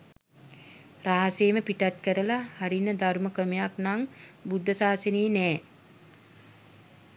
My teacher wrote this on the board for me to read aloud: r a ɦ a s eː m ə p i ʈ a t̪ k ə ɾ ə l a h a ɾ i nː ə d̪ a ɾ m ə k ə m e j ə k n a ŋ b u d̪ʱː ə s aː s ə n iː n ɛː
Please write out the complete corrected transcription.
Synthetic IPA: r a ɦ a s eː m ə p i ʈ a t̪ k ə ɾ ə l a h a ɾ i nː ə d̪ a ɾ m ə k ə m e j a k n a ŋ b u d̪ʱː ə s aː s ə n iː n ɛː